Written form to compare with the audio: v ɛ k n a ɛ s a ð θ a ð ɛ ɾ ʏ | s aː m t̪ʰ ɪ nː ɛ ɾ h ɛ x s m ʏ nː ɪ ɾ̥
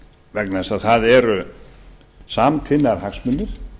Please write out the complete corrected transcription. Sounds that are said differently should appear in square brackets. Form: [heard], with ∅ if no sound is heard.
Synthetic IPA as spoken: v ɛ k n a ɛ s a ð θ a ð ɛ ɾ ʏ | s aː m t̪ʰ ɪ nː [a] ɾ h [a] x s m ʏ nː ɪ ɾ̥